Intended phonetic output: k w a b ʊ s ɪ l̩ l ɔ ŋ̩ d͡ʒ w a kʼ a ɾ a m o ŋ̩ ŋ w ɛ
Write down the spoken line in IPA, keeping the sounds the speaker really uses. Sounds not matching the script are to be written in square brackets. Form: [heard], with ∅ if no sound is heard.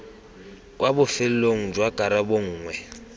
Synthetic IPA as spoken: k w a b ʊ [f] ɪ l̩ l [o] ŋ̩ d͡ʒ w a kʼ a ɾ a [b] o [ŋ̩ː] ŋ w ɛ